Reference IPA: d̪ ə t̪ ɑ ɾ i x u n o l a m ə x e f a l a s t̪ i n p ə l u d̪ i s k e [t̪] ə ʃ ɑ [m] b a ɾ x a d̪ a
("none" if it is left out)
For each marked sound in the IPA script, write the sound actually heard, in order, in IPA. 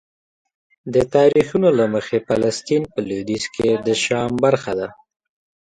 d̪, m

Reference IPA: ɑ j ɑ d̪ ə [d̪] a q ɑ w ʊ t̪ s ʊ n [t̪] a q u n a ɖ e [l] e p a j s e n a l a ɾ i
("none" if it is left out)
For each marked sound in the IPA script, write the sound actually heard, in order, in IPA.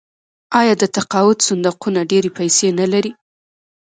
t̪, d̪, ɾ

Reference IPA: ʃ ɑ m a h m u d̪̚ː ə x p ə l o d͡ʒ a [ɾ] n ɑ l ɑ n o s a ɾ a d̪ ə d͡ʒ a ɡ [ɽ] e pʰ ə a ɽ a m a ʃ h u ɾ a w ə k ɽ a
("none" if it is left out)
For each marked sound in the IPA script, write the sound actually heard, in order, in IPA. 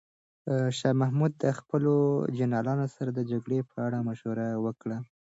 none, ɽ

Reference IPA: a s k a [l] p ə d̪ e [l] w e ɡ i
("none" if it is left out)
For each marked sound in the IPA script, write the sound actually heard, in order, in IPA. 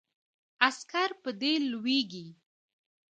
ɾ, l

